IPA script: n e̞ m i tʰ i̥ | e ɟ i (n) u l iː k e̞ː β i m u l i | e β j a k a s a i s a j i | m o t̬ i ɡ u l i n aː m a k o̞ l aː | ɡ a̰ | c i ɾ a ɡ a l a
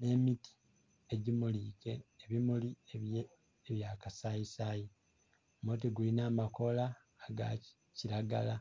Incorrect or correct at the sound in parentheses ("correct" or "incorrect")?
incorrect